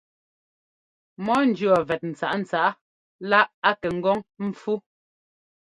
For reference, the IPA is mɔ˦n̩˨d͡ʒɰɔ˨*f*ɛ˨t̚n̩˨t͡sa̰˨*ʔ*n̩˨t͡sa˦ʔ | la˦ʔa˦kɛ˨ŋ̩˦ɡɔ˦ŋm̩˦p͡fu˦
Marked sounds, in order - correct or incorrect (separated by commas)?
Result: incorrect, correct